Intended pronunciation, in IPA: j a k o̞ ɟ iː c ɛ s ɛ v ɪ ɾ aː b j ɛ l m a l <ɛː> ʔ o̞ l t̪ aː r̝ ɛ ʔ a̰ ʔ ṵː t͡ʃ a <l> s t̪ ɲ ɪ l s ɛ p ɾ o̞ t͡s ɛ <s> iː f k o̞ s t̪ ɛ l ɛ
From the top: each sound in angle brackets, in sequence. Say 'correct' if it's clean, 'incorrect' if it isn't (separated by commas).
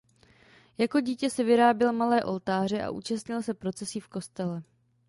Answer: correct, incorrect, correct